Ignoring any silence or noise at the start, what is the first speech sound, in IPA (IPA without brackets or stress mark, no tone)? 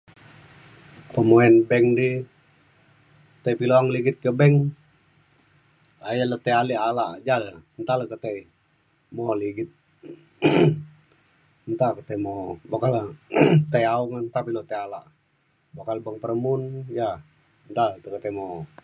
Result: p